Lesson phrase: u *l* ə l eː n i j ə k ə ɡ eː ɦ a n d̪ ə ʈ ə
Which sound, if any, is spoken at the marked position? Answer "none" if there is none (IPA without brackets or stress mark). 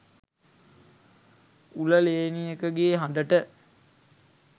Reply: l